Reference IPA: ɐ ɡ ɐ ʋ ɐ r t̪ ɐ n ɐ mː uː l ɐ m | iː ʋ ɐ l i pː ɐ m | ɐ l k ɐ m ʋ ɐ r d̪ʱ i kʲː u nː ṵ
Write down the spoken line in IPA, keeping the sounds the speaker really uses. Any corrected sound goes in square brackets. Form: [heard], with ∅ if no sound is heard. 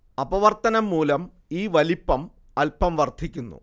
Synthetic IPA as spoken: ɐ [b] ɐ ʋ ɐ r t̪ ɐ n ɐ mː uː l ɐ m | iː ʋ ɐ l i pː ɐ m | ɐ l [p] ɐ m ʋ ɐ r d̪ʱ i kʲː u nː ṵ